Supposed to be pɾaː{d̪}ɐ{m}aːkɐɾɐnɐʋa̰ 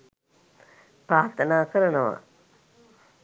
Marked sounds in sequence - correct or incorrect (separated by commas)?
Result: incorrect, incorrect